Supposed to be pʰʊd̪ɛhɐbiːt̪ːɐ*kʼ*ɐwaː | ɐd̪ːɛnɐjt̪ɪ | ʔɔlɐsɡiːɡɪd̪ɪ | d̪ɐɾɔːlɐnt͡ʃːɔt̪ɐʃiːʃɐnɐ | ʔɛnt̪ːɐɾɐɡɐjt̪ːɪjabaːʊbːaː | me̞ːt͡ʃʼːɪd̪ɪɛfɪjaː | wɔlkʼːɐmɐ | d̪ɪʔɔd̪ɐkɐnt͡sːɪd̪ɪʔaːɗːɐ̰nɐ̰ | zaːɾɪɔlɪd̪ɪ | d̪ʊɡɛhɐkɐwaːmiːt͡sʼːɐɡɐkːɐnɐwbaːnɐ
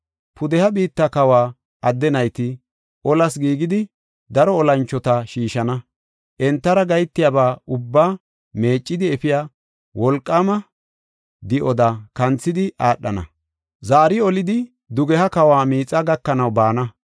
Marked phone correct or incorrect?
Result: incorrect